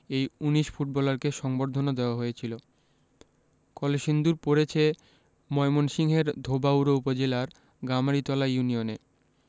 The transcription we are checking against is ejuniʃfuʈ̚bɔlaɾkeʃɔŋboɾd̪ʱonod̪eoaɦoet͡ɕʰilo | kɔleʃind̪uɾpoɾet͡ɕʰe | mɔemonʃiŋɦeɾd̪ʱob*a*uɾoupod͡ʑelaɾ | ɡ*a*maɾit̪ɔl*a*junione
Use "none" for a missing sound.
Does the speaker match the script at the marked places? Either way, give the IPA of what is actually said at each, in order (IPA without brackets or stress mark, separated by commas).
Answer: a, a, a